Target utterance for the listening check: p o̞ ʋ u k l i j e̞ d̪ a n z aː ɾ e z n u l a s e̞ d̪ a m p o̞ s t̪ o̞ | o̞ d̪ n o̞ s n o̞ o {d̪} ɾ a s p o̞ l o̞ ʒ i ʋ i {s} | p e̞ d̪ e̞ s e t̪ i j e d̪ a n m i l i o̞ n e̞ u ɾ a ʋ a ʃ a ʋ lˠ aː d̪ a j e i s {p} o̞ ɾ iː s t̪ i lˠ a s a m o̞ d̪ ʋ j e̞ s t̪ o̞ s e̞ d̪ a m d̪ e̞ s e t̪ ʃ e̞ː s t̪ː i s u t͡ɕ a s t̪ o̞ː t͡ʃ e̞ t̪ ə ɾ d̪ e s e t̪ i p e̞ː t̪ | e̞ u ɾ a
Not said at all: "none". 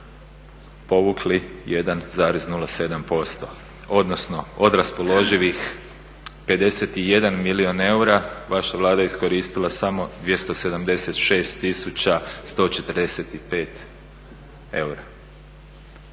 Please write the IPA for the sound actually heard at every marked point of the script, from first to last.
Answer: d̪, x, k

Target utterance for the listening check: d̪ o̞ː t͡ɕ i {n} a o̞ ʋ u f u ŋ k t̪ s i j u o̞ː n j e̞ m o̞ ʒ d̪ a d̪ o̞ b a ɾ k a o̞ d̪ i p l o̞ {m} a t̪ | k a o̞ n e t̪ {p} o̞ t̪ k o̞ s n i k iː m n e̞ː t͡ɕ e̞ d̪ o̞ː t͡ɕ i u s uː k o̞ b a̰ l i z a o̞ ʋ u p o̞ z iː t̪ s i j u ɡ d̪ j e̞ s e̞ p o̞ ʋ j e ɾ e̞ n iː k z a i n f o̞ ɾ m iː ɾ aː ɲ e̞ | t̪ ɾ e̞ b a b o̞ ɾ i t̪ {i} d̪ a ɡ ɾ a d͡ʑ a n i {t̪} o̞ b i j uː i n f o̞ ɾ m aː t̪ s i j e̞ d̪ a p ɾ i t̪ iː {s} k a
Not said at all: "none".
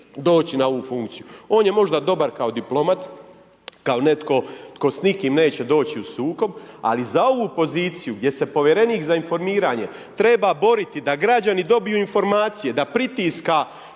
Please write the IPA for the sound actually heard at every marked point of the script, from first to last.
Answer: n, m, k, i, d̪, s

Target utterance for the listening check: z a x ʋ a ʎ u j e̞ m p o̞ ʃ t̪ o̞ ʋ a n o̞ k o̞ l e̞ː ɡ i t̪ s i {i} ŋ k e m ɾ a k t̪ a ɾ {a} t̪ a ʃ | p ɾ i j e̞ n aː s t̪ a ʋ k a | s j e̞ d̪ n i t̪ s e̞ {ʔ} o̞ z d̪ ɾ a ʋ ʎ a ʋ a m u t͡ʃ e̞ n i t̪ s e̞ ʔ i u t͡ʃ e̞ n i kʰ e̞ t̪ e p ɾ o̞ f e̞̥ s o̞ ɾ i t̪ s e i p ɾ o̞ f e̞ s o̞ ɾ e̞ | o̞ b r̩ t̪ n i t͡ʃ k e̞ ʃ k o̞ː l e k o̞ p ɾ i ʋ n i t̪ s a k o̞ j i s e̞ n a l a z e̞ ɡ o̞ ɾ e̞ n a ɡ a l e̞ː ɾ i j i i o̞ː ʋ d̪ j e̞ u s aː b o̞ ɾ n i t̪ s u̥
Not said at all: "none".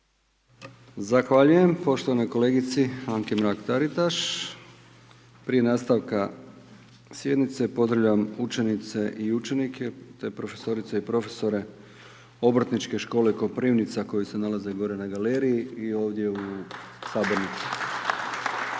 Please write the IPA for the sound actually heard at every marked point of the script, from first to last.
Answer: a, i, p

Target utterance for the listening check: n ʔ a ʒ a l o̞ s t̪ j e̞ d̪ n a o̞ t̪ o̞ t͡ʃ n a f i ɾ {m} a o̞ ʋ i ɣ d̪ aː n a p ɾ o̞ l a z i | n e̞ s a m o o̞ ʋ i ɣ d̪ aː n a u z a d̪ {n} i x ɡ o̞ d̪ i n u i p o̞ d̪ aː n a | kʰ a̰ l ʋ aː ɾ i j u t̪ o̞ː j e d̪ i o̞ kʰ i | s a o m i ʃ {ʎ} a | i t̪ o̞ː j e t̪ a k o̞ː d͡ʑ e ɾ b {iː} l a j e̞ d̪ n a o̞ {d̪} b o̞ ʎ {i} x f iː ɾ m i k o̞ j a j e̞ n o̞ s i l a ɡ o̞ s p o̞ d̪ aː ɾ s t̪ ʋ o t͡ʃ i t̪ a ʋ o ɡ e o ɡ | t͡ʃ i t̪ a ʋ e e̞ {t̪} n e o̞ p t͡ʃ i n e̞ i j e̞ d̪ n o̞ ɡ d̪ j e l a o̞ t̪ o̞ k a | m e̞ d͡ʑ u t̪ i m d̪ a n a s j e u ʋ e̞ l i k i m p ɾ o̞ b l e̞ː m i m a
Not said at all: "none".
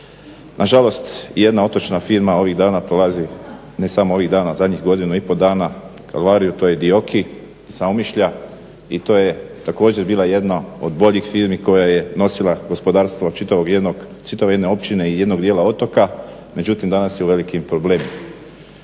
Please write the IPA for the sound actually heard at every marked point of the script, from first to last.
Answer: m, ɲ, ʎ, iː, d̪, i, d̪

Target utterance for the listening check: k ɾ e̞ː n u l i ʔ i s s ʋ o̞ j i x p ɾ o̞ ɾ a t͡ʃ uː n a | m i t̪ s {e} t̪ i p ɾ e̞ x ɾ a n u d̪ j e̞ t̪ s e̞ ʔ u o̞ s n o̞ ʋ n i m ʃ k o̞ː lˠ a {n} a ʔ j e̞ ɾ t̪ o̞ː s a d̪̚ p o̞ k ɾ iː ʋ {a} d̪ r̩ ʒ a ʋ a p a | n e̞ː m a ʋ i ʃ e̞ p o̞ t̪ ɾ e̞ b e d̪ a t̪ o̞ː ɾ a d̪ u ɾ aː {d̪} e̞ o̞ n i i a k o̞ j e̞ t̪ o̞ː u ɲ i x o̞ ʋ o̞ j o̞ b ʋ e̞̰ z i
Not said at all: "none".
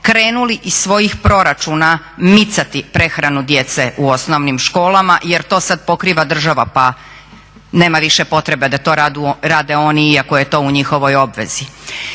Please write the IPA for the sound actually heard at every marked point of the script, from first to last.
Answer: a, m, a, d̪

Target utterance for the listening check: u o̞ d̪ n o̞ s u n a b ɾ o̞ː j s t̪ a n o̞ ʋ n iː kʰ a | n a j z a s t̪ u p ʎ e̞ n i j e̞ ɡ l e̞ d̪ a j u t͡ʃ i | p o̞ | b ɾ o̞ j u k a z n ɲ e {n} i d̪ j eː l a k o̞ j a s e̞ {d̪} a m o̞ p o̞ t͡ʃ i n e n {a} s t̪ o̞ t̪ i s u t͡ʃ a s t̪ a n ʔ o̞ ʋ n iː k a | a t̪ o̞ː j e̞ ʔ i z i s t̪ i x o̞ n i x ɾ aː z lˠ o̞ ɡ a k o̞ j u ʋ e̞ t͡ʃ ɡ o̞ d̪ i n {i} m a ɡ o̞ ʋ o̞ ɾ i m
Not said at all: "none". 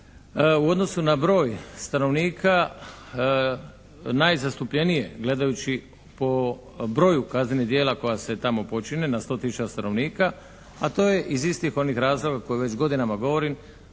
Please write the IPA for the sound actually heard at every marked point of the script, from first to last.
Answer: n, t̪, a, a

